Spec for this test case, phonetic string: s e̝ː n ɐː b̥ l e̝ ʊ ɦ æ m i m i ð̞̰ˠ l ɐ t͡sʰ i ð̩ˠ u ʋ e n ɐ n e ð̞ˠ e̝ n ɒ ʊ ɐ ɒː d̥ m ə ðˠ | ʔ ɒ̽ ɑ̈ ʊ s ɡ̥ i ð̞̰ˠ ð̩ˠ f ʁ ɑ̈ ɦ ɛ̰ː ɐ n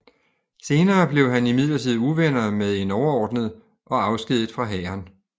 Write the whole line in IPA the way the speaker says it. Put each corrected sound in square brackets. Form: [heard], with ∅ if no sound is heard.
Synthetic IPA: s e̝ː n ɐː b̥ l e̝ ʊ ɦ æ [n] i m i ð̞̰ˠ l ɐ t͡sʰ i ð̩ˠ u ʋ e n ɐ [m] e ð̞ˠ e̝ n ɒ ʊ ɐ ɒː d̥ [n] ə ðˠ | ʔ ɒ̽ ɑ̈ ʊ s ɡ̥ i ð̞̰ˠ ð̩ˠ f ʁ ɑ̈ ɦ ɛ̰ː ɐ n